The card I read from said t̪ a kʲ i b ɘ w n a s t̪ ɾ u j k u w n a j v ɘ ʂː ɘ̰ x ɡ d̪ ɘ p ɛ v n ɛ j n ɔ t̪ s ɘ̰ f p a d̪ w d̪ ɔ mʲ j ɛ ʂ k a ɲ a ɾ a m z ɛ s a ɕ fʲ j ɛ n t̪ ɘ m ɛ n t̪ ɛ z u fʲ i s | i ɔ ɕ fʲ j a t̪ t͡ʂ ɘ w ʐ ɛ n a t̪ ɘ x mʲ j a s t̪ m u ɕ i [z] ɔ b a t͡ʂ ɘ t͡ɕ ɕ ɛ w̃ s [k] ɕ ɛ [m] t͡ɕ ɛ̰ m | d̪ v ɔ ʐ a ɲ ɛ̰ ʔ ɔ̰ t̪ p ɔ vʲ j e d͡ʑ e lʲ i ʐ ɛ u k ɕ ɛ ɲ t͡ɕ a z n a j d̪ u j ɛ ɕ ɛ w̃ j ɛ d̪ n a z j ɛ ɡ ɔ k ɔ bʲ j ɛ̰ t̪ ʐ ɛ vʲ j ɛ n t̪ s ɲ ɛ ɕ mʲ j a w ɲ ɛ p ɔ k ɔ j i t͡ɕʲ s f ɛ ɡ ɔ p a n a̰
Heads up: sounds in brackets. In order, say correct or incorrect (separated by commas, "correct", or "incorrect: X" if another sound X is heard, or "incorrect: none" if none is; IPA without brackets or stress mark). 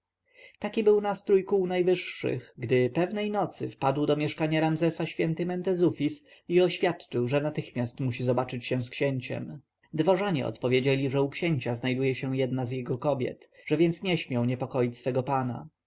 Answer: correct, correct, incorrect: ɲ